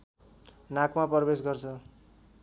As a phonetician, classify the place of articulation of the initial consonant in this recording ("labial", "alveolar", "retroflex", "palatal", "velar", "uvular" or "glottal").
alveolar